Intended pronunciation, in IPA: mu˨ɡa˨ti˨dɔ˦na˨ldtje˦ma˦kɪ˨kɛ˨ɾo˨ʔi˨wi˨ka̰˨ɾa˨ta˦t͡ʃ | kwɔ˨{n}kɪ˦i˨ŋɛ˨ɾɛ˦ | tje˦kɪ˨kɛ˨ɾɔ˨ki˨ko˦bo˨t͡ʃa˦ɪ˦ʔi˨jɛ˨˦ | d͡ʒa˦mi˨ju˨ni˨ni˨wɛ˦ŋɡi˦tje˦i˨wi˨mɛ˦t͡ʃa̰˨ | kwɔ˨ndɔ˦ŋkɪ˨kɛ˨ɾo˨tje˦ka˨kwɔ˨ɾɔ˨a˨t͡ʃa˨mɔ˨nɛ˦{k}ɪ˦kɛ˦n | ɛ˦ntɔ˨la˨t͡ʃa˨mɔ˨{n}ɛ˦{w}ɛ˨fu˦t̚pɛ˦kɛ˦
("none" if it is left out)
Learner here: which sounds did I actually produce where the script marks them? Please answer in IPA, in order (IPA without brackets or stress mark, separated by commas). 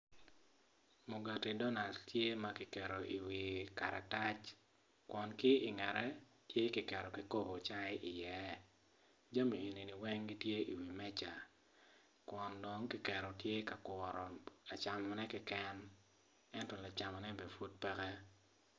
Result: n, k, n, b